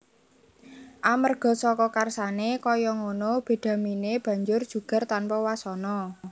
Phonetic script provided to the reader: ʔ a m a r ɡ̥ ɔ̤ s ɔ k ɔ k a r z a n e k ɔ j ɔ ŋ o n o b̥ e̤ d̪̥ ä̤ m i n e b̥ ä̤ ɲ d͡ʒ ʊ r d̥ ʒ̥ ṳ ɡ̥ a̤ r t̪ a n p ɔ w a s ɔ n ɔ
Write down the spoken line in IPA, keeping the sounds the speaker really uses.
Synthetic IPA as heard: ʔ a m ə r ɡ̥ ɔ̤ s ɔ k ɔ k a r s a n e k ɔ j ɔ ŋ o n o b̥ e̤ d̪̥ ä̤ m i n e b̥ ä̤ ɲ d͡ʒ ʊ r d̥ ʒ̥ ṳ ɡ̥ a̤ r t̪ a n p ɔ w a s ɔ n ɔ